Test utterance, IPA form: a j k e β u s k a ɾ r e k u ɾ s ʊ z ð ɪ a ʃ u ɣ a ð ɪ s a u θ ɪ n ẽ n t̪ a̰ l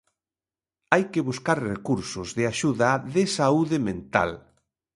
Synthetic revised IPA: a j k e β u s k a ɾ r e k u ɾ s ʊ z ð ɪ a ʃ u ð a ð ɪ s a u ð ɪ m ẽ n t̪ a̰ l

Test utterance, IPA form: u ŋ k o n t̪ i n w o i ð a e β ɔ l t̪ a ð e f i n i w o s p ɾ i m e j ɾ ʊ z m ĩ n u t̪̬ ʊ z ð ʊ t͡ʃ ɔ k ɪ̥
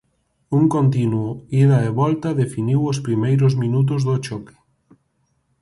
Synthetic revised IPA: u ŋ k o n t̪ i n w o i ð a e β ɔ l t̪ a ð e f i n i w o s p ɾ i m e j ɾ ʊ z m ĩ n u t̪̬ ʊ z ð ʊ t͡ʃ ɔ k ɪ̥

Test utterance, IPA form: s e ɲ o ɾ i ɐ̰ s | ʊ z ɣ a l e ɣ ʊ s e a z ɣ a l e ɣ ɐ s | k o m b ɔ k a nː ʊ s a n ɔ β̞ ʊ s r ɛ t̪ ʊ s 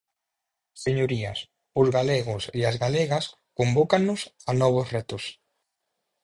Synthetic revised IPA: s e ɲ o ɾ i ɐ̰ s | ʊ z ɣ a l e ɣ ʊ s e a z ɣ a l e ɣ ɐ s | k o m b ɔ k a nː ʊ s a n ɔ β̞ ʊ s r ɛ t̪ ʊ s

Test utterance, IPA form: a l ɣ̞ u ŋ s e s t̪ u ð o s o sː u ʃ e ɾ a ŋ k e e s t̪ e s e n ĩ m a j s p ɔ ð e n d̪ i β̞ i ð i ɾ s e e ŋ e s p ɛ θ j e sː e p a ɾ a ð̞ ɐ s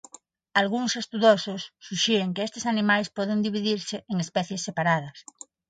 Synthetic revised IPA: a l ɣ̞ u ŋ s e s t̪ u ð o s o sː u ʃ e ɾ e ŋ k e e s t̪ e s a n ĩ m a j s p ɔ ð e n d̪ i β̞ i ð i ɾ s e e ŋ e s p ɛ θ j e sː e p a ɾ a ð̞ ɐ s

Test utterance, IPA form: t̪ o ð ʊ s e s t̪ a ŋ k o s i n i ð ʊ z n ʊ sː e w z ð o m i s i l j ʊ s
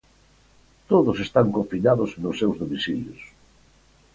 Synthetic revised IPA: t̪ o ð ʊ s e s t̪ a ŋ k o f i n a ð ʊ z n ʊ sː e w z ð o m i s i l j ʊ s

